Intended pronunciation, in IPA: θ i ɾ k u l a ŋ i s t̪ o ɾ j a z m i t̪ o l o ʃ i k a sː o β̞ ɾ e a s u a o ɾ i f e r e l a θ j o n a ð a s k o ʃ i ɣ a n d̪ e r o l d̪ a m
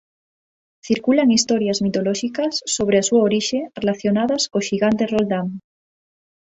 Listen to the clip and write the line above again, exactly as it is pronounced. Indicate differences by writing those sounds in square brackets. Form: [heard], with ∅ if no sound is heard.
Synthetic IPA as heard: θ i ɾ k u l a ŋ i s t̪ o ɾ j a z m i t̪ o l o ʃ i k a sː o β̞ ɾ e a s u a o ɾ i [ʃ] e r e l a θ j o n a ð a s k o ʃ i ɣ a n [t̪] e r o l d̪ a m